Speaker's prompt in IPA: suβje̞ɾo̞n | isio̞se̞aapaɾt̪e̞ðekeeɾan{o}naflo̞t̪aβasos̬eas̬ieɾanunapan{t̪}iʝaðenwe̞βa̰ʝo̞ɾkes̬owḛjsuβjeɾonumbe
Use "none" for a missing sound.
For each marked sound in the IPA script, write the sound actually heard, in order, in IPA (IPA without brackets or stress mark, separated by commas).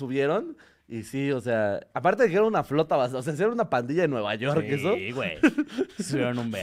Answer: u, d̪